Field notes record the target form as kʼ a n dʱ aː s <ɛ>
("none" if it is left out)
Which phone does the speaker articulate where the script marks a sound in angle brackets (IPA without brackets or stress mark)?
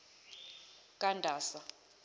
a